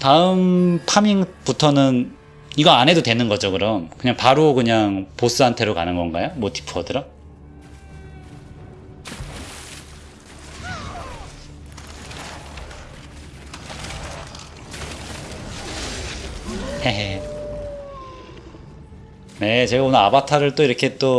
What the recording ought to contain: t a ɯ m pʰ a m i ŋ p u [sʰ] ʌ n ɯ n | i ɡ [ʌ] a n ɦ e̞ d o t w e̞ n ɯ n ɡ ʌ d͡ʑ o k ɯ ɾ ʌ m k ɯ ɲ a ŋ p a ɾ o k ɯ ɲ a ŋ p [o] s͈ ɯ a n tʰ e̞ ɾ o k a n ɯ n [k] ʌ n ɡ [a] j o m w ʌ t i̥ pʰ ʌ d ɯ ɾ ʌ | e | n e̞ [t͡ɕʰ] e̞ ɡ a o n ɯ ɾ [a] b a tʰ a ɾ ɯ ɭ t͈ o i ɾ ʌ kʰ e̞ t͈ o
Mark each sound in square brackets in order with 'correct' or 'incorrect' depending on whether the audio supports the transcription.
incorrect, correct, correct, incorrect, correct, incorrect, correct

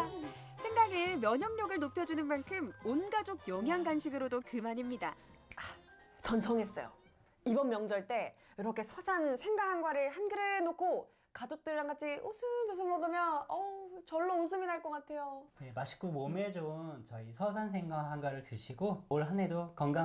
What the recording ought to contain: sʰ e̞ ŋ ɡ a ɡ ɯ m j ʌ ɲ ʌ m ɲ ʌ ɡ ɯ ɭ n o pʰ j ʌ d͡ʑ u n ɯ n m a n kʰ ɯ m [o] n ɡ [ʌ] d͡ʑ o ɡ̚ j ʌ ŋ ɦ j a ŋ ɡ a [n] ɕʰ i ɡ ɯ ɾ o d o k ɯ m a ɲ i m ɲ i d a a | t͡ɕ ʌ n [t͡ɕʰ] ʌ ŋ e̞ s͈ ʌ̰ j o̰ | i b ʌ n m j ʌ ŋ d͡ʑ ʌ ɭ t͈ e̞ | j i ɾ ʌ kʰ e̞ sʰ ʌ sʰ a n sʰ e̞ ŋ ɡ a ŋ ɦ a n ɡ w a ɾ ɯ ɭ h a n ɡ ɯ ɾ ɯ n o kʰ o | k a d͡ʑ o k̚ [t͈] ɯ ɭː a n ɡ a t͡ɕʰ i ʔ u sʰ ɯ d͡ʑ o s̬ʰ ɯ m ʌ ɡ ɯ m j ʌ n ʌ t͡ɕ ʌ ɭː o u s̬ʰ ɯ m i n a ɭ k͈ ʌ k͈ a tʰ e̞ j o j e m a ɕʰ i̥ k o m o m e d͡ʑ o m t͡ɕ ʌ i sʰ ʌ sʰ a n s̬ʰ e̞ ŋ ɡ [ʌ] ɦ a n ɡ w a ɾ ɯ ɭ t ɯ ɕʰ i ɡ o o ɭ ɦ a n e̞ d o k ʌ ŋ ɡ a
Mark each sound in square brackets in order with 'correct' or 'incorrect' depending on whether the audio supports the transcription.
correct, incorrect, correct, correct, correct, incorrect

